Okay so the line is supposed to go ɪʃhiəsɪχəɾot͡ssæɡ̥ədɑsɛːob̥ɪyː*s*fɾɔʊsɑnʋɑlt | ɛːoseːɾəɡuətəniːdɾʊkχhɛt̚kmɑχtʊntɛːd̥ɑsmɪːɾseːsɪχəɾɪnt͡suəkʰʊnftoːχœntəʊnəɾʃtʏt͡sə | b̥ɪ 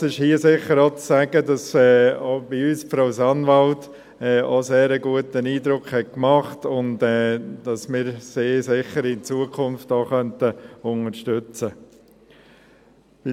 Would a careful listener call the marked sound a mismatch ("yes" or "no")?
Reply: no